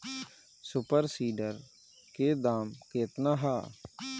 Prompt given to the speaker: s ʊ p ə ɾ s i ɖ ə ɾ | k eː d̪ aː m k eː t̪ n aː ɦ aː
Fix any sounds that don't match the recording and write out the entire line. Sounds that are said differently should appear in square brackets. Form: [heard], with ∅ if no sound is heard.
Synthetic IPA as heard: s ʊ p ə ɾ s [iː] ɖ ə ɾ | k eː d̪ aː m k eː t̪ n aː ɦ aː